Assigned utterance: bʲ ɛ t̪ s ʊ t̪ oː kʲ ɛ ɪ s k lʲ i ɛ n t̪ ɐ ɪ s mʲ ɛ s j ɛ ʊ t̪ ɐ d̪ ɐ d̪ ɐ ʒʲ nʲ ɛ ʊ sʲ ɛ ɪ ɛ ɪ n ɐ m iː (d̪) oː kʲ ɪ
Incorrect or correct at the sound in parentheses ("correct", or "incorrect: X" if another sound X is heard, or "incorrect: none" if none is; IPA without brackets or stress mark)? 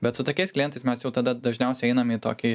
incorrect: t̪